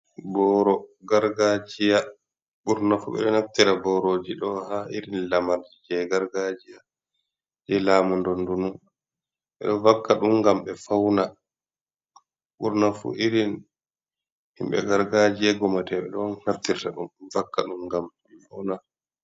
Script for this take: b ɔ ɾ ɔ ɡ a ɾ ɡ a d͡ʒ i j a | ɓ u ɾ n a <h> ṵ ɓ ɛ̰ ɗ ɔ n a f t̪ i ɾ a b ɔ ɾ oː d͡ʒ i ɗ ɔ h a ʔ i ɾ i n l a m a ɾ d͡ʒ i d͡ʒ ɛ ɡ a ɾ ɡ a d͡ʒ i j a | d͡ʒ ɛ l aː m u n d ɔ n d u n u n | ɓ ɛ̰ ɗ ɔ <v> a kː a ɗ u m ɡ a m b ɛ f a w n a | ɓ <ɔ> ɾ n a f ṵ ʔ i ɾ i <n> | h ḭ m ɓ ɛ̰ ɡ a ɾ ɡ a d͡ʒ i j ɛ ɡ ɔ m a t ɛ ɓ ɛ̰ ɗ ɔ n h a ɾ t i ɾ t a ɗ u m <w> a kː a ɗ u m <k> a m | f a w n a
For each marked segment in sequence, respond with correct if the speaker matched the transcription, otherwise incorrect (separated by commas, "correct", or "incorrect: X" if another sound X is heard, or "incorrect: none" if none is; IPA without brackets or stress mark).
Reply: incorrect: f, correct, incorrect: u, correct, incorrect: v, incorrect: ɡ